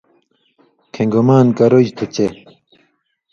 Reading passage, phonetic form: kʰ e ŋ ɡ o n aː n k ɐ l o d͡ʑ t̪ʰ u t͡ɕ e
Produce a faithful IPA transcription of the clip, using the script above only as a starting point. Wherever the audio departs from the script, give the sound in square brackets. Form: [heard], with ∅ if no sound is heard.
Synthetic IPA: kʰ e ŋ ɡ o [m] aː n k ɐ [ɾ] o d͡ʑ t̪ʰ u t͡ɕ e